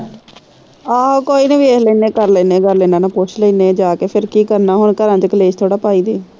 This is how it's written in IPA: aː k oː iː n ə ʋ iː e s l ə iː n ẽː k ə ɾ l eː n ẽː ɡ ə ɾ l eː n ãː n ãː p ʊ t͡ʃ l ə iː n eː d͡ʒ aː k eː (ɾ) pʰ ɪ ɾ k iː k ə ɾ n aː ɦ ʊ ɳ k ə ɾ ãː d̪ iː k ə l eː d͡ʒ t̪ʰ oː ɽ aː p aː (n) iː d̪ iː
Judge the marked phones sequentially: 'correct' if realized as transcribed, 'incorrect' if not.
incorrect: none, incorrect: none

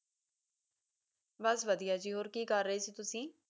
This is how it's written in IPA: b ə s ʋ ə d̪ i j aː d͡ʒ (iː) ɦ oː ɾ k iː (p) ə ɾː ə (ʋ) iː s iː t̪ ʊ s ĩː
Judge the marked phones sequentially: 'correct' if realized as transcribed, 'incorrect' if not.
correct, incorrect: k, incorrect: none

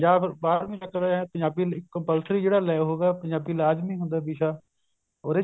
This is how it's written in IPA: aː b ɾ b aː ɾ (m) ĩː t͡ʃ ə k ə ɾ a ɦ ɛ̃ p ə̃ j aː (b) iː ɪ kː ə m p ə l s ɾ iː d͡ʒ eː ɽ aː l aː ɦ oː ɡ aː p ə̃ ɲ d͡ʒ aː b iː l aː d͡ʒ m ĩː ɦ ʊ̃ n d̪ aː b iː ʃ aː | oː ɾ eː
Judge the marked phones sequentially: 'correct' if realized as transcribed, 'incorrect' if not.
correct, correct

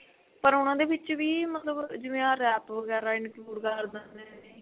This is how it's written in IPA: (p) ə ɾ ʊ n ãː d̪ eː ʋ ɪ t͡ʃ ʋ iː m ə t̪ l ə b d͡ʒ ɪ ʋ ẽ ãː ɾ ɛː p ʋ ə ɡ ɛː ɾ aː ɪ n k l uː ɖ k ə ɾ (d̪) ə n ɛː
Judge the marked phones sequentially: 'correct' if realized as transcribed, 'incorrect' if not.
correct, correct

